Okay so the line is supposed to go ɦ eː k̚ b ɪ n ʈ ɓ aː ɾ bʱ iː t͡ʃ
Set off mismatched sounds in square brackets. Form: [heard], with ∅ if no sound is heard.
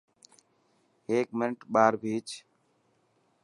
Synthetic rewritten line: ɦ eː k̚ [m] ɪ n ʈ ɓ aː ɾ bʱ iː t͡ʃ